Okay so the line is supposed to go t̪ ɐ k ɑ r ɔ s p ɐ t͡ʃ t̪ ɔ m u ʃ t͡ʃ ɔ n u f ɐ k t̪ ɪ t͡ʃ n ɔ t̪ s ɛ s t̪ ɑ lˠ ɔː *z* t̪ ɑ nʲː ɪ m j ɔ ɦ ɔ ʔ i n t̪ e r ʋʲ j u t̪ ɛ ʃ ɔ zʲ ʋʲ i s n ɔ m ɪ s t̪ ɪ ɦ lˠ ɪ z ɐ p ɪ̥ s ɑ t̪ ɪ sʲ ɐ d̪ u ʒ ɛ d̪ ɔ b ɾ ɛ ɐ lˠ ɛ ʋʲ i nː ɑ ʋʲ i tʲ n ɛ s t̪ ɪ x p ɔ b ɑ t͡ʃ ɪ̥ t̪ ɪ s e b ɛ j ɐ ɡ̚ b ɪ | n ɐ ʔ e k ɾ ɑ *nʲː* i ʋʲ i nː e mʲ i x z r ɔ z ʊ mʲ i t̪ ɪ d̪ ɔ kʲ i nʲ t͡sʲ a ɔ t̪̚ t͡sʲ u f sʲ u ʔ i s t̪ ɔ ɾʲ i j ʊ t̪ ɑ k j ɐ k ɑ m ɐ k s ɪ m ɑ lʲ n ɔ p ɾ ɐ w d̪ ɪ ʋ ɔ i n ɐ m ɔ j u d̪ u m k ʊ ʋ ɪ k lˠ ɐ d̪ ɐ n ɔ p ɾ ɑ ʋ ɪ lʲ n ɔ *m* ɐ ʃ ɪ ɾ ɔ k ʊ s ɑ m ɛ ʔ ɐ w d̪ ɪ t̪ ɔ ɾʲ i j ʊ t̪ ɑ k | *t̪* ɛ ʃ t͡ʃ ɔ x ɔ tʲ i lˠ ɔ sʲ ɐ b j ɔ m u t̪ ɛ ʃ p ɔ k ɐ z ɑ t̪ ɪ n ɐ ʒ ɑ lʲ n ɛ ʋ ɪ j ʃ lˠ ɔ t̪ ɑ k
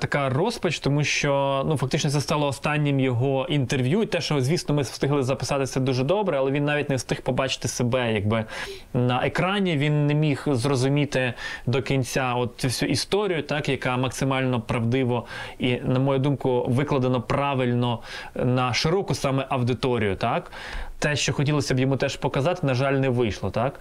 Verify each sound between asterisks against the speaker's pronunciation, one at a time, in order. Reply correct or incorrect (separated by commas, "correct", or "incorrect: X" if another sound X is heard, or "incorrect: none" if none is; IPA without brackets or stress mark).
incorrect: s, incorrect: nʲ, incorrect: n, correct